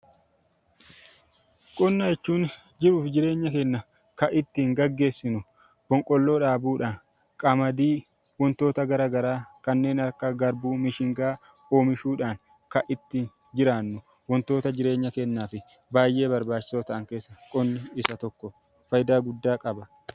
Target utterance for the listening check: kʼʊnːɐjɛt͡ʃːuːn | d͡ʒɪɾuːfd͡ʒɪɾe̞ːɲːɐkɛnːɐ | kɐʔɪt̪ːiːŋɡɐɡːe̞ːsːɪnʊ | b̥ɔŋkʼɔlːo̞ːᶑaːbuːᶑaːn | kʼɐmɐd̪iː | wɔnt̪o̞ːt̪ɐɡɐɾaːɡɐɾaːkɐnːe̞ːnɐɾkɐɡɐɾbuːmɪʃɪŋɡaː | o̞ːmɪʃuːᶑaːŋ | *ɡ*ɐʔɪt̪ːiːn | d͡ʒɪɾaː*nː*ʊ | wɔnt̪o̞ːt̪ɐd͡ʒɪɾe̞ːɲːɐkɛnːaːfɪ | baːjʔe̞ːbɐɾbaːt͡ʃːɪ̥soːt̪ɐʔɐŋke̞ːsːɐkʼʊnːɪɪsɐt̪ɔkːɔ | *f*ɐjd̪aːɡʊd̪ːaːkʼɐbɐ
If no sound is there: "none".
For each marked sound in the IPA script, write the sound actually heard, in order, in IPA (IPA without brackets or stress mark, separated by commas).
k, nː, f